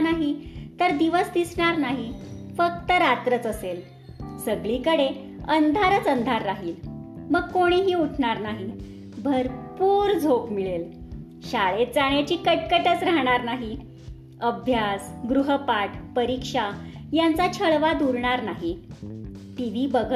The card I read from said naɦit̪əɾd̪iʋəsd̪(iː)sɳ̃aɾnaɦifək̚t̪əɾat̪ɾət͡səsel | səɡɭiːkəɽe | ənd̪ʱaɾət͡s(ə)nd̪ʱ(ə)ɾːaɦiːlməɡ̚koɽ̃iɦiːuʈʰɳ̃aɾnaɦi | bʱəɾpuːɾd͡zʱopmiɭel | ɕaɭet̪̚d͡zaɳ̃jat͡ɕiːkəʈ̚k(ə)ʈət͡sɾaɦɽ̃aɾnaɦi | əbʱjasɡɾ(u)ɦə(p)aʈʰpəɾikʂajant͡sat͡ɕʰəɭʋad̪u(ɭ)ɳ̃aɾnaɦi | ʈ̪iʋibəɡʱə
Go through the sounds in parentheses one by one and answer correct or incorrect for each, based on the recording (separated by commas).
incorrect, correct, incorrect, correct, correct, correct, incorrect